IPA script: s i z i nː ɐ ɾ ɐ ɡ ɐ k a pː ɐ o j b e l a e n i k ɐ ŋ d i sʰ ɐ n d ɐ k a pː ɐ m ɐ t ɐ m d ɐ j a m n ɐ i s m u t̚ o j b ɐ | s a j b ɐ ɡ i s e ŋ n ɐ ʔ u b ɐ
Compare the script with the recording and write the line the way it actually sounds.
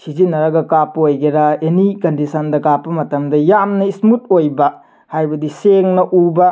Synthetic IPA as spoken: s i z i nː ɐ ɾ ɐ ɡ ɐ k a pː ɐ o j ɡ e ɾ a e n i k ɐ n d i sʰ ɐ n d ɐ k a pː ɐ m ɐ t ɐ m d ɐ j a m n ɐ i s m u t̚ o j b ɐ | h a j b ɐ d i s e ŋ n ɐ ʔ u b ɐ